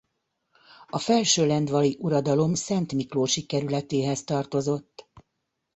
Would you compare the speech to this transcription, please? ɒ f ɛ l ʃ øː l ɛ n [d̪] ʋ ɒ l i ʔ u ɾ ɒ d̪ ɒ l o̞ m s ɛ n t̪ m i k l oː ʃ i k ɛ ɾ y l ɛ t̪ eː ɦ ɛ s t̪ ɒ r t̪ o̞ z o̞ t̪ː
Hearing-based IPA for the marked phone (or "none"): d̪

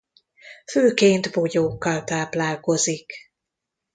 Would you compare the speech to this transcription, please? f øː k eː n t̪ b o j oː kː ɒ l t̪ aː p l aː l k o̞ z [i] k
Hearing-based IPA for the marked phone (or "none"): i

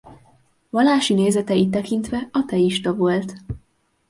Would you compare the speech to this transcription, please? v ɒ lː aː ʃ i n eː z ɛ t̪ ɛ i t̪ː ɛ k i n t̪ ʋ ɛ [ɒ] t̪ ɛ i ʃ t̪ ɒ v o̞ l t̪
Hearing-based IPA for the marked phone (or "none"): ɒ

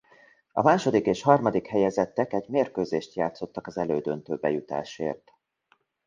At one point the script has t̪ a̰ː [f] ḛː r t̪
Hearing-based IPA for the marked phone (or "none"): ʃ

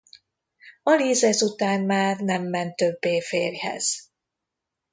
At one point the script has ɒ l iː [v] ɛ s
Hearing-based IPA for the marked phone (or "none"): z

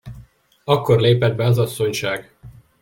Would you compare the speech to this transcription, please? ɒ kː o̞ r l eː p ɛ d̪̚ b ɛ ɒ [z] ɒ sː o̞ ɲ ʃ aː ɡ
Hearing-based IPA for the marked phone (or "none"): z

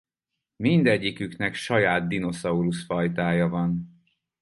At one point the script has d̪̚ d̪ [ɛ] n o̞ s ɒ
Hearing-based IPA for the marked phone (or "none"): i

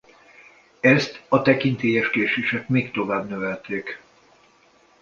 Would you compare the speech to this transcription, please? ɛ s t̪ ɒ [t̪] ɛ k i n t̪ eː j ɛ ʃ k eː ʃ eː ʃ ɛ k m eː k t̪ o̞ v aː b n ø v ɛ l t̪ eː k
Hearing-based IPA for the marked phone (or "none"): t̪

